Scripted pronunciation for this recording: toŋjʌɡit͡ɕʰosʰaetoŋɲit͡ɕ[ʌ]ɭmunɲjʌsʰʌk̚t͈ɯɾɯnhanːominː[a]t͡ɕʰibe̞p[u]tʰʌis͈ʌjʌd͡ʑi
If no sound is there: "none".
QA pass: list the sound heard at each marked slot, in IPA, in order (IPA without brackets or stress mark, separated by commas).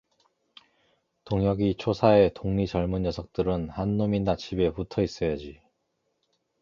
ʌ, a, u